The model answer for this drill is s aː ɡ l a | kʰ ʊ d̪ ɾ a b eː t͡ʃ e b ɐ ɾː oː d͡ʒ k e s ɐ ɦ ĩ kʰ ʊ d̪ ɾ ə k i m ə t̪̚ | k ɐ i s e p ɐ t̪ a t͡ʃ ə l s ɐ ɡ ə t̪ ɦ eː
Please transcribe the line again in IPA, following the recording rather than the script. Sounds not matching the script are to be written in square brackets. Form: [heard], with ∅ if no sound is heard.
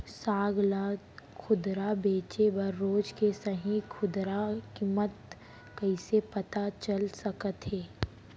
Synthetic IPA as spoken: s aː ɡ l a | kʰ ʊ d̪ ɾ a b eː t͡ʃ e b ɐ ɾː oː d͡ʒ k e s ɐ ɦ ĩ kʰ ʊ d̪ ɾ [a] k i m ə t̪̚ | k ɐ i s e p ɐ t̪ a t͡ʃ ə l s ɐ [k] ə t̪ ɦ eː